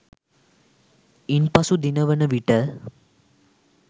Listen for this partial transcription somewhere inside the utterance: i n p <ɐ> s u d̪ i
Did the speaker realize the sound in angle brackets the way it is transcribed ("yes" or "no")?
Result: yes